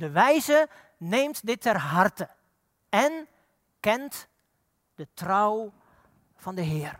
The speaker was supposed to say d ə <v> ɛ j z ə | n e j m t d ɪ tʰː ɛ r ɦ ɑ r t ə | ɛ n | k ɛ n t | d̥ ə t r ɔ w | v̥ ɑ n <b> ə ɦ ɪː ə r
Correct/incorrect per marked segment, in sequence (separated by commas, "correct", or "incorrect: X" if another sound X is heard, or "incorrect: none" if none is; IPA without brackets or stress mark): incorrect: ʋ, incorrect: d